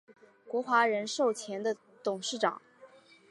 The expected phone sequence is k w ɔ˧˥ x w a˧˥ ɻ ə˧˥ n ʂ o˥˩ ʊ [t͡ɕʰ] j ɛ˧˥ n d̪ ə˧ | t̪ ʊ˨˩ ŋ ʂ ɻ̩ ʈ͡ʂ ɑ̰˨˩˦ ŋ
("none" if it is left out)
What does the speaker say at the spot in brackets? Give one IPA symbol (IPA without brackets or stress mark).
t͡ɕʰ